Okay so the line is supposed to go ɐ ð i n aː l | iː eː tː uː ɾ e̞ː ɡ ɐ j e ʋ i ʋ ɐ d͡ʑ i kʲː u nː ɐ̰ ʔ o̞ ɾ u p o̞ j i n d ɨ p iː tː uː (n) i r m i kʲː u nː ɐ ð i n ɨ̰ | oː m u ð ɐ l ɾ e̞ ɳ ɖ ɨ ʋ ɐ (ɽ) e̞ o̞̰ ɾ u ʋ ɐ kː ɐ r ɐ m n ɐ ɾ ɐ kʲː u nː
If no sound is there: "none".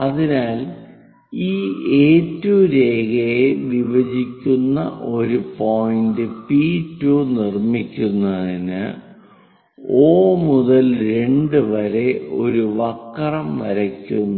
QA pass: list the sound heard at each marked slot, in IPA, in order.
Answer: n, ɾ

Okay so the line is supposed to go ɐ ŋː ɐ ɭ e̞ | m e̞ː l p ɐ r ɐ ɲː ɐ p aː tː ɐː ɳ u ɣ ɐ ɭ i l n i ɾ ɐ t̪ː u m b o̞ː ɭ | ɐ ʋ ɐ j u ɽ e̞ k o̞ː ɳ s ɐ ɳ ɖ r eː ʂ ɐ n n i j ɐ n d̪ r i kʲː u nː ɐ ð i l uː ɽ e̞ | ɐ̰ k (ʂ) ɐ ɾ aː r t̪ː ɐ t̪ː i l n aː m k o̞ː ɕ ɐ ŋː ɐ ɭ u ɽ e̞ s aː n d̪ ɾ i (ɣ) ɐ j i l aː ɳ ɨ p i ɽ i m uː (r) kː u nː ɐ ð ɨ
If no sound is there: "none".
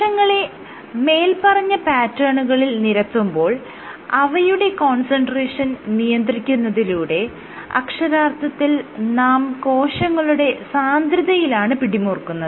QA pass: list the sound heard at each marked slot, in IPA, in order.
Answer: ʂ, ð, r

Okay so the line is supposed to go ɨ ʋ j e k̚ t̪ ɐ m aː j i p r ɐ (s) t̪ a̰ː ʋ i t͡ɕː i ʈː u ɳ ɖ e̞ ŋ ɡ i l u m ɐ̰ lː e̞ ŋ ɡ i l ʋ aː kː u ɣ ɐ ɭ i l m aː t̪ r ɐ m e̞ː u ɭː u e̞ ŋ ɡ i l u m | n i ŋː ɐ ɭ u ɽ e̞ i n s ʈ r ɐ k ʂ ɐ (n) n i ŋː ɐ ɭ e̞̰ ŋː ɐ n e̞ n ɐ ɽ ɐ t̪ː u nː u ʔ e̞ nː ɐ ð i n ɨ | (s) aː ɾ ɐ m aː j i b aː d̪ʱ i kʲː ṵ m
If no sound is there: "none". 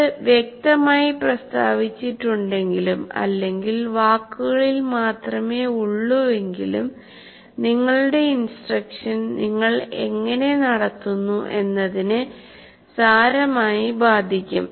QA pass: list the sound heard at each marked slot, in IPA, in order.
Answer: s, n, s

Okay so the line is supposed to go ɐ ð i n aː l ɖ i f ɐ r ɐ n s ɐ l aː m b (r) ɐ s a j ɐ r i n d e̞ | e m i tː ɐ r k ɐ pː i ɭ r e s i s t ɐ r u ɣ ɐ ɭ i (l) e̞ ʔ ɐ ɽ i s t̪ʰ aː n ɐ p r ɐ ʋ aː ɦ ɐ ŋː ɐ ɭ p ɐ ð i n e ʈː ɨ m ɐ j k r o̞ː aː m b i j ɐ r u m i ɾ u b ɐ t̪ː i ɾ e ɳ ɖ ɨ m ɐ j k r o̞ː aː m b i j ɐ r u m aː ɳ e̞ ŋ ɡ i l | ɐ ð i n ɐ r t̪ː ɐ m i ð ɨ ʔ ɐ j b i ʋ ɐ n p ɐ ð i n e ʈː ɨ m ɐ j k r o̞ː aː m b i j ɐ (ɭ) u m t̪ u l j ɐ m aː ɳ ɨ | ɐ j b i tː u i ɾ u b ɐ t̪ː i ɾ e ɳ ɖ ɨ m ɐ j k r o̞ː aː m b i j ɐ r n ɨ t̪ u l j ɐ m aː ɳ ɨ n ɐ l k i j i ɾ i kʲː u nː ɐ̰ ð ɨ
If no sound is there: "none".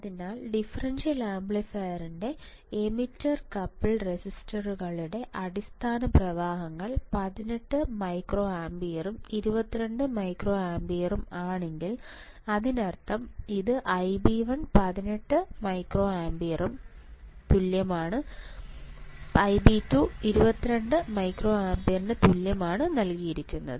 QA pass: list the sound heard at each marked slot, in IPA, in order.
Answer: ɭ, ɽ, r

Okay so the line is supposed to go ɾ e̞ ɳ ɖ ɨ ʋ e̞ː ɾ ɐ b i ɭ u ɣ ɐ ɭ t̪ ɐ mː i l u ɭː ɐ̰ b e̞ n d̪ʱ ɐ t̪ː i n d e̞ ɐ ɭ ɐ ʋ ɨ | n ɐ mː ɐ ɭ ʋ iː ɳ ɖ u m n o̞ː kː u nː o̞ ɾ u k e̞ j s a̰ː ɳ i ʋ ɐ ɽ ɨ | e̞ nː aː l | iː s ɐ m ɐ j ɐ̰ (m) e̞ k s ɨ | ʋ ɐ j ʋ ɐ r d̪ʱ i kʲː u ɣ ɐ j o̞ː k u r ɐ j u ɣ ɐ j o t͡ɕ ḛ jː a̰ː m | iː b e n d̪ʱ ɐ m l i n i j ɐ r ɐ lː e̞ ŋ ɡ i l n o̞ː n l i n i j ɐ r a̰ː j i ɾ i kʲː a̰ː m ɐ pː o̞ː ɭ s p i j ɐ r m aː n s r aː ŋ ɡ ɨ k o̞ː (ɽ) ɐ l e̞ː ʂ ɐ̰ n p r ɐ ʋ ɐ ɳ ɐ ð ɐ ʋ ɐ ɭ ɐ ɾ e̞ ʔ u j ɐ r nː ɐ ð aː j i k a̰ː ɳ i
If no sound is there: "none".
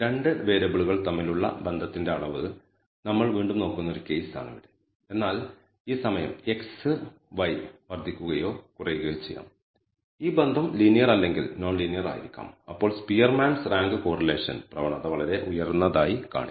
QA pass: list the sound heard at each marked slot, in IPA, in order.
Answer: m, r

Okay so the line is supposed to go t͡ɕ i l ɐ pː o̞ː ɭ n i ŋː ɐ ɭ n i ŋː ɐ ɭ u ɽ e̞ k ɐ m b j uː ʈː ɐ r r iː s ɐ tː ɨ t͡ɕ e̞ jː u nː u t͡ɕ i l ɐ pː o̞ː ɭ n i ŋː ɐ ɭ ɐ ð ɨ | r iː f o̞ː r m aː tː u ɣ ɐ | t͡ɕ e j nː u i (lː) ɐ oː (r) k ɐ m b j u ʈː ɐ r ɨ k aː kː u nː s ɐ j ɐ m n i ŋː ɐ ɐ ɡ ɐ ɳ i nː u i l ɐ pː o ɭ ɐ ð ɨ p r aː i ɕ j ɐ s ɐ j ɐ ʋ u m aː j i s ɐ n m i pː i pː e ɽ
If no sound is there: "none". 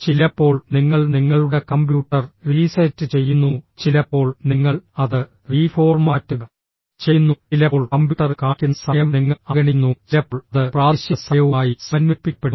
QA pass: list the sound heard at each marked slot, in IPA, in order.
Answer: l, ɭ

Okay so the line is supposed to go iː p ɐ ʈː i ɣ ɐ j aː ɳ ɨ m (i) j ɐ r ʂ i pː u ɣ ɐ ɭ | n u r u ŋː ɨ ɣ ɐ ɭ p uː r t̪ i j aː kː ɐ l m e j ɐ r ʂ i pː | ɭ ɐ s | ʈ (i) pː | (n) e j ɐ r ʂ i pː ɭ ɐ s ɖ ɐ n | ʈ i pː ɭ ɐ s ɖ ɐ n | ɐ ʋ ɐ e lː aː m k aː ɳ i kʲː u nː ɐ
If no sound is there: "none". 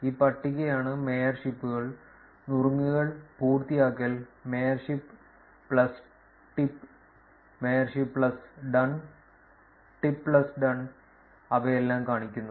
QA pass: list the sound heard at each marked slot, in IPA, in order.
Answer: e, i, m

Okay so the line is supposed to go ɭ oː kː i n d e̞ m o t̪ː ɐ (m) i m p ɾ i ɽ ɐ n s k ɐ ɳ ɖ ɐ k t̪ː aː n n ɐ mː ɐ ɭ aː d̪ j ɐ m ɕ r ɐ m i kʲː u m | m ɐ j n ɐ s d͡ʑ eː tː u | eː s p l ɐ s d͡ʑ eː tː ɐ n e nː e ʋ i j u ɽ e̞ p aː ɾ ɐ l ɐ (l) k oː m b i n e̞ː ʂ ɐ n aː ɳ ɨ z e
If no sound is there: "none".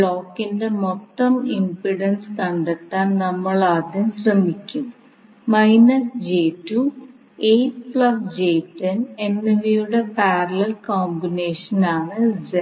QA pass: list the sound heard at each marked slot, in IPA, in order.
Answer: m, l

